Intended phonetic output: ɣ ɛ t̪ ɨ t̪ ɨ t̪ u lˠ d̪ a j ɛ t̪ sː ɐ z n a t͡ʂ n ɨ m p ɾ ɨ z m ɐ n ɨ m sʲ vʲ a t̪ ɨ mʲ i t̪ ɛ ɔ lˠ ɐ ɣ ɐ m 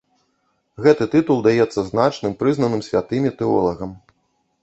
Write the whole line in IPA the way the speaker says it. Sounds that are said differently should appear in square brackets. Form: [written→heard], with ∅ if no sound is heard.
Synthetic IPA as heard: ɣ ɛ t̪ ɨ t̪ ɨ t̪ u lˠ d̪ a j ɛ t̪ sː ɐ z n a t͡ʂ n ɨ m p ɾ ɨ z [m→n] ɐ n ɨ m sʲ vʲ a t̪ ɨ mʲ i t̪ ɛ ɔ lˠ ɐ ɣ ɐ m

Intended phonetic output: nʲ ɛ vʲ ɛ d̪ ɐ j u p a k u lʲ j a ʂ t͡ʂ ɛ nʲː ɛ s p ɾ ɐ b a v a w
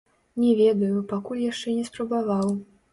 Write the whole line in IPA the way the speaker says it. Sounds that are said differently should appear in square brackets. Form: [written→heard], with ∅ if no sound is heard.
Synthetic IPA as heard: nʲ ɛ vʲ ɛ d̪ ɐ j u p a k u lʲ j a ʂ t͡ʂ ɛ [nʲː→nʲ] ɛ s p ɾ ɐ b a v a w

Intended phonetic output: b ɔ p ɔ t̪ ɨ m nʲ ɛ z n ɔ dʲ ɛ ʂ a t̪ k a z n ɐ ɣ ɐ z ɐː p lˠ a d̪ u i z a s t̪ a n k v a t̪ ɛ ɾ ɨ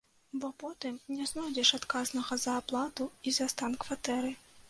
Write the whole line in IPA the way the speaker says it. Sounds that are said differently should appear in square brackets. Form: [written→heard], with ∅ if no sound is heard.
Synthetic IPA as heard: b ɔ p ɔ t̪ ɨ m nʲ ɛ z n ɔ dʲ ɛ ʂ a t̪ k a z n ɐ ɣ ɐ z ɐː p lˠ a [d̪→t̪] u i z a s t̪ a n k v a t̪ ɛ ɾ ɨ

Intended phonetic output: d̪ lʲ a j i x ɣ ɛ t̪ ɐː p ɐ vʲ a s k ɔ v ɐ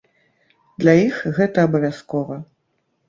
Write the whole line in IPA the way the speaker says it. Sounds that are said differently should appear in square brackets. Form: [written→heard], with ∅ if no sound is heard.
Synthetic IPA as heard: d̪ lʲ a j i x ɣ ɛ t̪ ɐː [p→b] ɐ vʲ a s k ɔ v ɐ

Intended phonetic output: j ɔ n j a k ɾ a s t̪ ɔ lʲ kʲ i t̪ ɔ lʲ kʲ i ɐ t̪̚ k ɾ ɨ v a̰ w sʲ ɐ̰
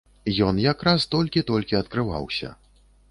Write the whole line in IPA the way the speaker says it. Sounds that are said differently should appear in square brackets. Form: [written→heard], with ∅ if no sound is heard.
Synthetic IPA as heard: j ɔ n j a k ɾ a s t̪ ɔ lʲ kʲ i t̪ ɔ lʲ kʲ i ɐ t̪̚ k ɾ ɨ v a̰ w sʲ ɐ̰

